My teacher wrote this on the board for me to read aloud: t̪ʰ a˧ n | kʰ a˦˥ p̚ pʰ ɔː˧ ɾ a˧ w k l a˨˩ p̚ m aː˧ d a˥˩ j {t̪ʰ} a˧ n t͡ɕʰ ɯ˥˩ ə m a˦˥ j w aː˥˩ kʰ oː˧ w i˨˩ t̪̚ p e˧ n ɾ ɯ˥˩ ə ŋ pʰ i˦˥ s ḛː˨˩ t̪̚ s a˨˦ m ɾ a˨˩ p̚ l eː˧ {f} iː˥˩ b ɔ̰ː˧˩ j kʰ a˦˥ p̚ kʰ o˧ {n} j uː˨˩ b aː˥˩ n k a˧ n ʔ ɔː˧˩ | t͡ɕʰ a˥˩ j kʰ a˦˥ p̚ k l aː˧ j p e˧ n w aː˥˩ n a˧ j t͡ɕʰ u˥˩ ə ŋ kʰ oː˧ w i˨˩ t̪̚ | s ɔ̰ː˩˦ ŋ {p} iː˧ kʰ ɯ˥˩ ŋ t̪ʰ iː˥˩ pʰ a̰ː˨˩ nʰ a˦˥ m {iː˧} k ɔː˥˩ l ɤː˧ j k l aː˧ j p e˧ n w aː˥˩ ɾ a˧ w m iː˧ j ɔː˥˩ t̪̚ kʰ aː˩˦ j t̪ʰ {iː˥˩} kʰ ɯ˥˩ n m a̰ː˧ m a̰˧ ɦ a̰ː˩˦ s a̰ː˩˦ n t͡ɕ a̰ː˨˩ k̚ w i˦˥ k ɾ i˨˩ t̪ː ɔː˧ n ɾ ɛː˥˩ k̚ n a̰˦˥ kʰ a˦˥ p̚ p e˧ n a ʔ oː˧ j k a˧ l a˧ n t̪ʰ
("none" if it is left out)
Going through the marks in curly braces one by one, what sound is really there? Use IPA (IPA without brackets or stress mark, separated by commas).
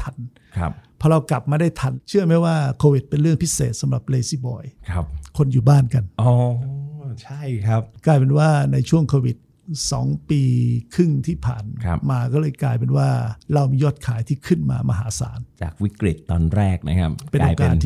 t̪ʰ, s, n, p, aː˧, iː˥˩